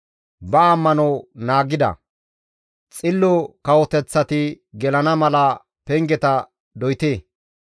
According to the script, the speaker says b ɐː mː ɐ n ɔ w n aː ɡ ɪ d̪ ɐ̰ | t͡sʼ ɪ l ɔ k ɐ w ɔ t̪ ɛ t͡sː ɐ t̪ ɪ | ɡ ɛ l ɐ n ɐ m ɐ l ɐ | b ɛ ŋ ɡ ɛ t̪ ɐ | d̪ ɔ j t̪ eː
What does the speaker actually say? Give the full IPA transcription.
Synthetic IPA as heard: b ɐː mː ɐ n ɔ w n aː ɡ ɪ d̪ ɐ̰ | t͡sʼ ɪ lː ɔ k ɐ w ɔ t̪ ɛ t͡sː ɐ t̪ ɪ | ɡ ɛ l ɐ n ɐ m ɐ l ɐ | p ɛ ŋ ɡ ɛ t̪ ɐ | d̪ ɔ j t̪ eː